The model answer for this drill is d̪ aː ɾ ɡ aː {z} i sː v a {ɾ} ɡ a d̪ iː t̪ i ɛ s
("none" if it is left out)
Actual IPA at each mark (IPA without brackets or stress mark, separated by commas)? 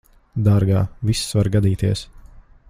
v, ɾ